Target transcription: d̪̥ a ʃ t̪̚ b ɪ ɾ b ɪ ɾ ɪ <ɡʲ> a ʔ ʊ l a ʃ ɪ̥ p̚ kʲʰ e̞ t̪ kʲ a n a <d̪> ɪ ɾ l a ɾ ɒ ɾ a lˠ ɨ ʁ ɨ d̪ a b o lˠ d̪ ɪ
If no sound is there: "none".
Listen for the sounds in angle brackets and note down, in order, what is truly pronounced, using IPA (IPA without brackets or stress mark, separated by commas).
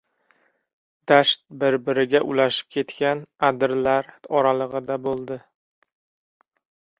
ɡʲ, d̪